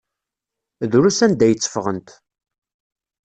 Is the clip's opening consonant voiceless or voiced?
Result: voiced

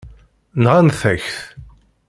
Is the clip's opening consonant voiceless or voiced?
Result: voiced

